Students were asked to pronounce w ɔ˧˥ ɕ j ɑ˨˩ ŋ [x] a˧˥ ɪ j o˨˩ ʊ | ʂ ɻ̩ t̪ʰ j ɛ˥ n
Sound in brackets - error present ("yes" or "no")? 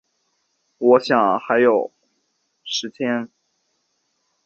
no